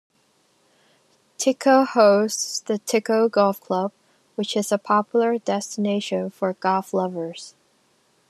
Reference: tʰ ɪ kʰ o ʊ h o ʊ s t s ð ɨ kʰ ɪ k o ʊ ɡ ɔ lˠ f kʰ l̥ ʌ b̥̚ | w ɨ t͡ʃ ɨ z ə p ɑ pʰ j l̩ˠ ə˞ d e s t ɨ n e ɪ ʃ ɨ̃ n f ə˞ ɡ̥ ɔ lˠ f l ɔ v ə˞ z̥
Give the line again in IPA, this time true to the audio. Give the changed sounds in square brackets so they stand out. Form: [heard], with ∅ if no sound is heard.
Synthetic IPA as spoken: tʰ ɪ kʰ o ʊ h o ʊ s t s ð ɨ [tʰ] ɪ k o ʊ ɡ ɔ lˠ f kʰ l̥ ʌ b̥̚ | w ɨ t͡ʃ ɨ z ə [pʰ] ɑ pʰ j l̩ˠ ə˞ d [ɛ] s t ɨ n e ɪ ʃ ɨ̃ n f ə˞ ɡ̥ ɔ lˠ f l [ʌ] v ə˞ z̥